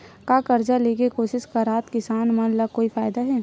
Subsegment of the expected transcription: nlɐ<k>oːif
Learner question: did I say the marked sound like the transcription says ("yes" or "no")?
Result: yes